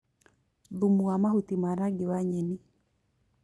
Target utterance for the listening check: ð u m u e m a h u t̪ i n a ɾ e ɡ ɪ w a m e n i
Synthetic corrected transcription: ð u m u a m a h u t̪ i m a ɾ a ɡ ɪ w a ɲ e n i